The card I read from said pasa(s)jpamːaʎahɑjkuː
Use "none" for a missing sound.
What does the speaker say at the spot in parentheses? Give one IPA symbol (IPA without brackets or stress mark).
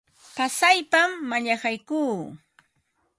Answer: none